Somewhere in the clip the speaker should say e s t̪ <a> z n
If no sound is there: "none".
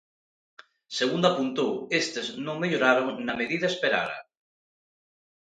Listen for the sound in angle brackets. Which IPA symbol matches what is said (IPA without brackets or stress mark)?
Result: e